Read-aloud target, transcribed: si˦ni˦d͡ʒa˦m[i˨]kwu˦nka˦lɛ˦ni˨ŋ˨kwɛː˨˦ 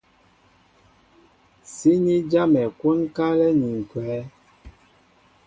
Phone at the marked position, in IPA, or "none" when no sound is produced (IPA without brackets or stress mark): ɛ˨